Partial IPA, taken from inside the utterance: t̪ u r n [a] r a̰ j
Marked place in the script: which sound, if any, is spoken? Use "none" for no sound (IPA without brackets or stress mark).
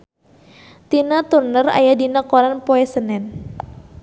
ə